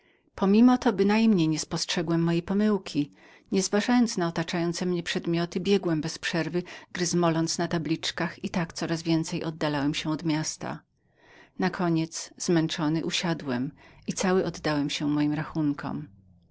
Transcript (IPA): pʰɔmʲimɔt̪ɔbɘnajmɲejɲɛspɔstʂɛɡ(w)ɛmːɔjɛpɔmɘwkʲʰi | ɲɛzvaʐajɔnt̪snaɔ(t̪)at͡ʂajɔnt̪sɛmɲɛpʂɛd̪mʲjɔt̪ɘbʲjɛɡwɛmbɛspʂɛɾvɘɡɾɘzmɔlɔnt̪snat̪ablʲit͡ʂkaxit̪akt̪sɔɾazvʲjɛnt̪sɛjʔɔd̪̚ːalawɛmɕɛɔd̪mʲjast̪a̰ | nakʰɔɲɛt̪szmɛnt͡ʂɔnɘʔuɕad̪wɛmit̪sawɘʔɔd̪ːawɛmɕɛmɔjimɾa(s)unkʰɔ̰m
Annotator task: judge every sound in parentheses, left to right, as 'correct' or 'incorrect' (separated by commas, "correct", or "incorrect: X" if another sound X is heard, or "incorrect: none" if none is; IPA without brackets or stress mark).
correct, correct, incorrect: x